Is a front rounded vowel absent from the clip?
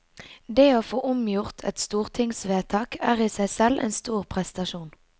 yes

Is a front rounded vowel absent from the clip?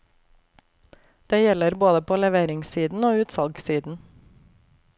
yes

